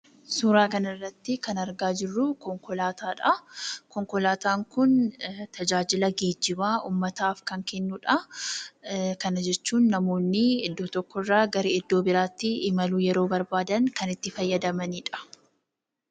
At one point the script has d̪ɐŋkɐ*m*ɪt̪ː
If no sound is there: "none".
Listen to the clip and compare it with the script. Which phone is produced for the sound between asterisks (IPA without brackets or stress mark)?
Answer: n